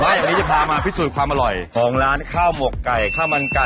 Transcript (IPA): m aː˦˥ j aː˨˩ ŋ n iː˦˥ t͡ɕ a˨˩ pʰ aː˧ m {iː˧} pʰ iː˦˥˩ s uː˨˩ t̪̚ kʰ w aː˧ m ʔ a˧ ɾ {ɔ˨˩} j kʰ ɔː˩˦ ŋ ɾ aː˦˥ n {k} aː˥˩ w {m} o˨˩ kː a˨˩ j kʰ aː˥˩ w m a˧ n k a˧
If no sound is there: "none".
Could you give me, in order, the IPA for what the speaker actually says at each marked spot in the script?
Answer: aː˧, ɔ˨˩, kʰ, m

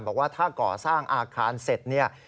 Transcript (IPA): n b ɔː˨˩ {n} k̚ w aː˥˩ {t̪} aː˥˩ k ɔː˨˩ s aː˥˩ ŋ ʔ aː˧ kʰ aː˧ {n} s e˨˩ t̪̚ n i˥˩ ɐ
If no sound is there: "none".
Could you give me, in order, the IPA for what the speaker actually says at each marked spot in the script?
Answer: none, t̪ʰ, n

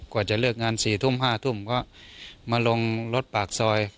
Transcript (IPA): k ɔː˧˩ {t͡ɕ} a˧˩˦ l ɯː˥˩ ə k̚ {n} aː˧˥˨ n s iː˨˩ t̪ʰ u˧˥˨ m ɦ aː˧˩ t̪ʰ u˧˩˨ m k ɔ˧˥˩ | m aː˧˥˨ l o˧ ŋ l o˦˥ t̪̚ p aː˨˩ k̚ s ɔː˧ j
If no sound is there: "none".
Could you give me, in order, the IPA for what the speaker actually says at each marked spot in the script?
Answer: t͡ɕ, ŋ

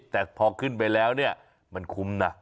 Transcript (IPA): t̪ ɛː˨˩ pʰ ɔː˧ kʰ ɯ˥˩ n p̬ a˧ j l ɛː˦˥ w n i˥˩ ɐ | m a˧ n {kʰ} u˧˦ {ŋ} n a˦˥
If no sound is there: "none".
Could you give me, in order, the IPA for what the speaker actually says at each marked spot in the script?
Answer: kʰ, m

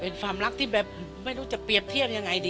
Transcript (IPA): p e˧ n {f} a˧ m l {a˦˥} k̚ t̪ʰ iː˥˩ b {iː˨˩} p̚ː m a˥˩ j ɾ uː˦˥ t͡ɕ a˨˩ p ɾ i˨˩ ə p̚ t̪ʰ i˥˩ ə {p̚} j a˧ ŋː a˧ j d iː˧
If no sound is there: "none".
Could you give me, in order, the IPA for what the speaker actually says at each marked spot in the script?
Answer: f, a˦˥, ɛː˨˩, p̚

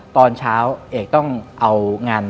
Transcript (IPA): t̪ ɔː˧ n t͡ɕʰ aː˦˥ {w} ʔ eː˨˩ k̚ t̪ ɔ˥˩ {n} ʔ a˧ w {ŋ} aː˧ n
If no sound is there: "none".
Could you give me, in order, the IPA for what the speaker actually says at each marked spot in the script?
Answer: w, ŋ, ŋ

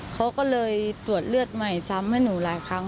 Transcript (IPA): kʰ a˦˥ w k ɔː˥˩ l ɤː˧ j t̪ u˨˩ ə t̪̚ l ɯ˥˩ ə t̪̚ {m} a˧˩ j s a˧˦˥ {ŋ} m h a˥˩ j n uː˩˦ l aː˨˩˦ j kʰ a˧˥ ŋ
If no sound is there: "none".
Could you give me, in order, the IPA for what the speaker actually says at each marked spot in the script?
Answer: m, none

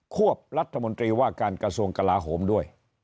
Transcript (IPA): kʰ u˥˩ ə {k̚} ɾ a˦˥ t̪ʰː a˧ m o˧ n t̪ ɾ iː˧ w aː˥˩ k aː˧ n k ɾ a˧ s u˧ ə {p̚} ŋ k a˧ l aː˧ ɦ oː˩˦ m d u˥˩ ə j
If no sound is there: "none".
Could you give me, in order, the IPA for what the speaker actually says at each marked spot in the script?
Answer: p̚, none

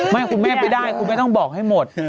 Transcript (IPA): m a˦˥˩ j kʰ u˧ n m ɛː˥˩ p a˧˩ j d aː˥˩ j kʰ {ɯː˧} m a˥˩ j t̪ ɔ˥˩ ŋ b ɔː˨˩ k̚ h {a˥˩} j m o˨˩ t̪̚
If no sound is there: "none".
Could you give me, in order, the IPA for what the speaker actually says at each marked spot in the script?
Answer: uː˧, a˥˩

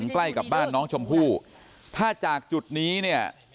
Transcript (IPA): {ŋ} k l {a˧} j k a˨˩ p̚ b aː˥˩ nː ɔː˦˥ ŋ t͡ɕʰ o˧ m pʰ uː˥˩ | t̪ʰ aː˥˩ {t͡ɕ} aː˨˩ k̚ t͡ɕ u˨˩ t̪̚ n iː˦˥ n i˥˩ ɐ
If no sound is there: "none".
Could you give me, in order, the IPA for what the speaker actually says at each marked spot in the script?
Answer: ŋ, a˥˩, t͡ɕ

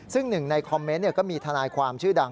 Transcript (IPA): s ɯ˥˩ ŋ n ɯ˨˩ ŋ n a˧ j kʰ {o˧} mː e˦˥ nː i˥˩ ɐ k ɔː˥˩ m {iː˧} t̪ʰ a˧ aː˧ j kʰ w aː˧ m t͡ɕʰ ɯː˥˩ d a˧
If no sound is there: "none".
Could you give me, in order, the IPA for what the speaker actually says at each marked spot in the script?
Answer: ɔ˧, iː˧

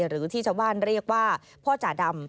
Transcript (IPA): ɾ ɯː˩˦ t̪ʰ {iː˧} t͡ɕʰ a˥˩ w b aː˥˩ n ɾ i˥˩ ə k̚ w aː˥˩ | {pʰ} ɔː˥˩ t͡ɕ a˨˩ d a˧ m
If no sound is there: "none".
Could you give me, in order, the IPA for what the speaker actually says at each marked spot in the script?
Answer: iː˥˩, pʰ

